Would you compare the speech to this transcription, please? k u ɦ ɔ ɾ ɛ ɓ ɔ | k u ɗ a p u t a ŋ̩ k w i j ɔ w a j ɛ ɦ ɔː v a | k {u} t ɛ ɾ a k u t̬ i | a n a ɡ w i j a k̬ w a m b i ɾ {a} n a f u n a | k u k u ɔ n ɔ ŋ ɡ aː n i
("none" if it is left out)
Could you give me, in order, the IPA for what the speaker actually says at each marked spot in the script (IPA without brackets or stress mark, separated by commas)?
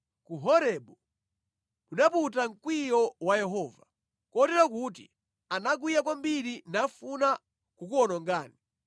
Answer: ɔ, i